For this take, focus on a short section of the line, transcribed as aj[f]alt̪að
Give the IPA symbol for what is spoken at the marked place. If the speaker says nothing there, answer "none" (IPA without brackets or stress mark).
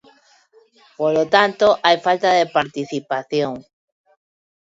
f